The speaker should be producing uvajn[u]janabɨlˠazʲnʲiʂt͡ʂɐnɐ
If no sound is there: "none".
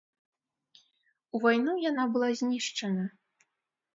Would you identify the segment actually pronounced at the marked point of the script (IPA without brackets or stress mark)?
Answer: u